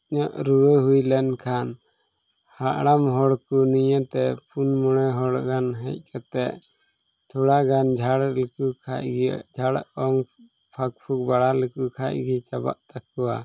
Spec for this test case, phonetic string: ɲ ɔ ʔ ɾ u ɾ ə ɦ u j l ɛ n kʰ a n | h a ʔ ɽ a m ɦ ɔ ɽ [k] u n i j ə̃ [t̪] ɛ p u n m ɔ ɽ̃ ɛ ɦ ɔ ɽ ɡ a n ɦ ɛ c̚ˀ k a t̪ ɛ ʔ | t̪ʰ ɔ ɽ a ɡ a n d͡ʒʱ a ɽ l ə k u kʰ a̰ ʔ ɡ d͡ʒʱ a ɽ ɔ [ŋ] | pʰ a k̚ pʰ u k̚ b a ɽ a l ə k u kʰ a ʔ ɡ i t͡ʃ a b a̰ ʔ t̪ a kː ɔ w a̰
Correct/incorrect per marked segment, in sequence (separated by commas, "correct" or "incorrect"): correct, correct, correct